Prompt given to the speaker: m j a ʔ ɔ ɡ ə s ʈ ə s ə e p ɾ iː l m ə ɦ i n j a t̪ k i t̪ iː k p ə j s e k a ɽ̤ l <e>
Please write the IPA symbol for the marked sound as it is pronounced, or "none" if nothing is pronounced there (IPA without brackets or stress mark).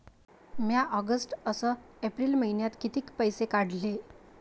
e